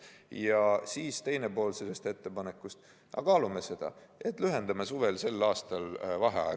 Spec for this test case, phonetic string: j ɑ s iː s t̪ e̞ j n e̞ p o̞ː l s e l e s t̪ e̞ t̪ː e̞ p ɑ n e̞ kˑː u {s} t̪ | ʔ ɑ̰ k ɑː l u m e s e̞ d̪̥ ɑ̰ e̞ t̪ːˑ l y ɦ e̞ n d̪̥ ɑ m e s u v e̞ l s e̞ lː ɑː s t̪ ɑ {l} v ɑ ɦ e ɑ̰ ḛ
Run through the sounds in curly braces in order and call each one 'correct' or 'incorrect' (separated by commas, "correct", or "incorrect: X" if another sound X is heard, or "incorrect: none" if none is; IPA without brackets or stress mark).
correct, correct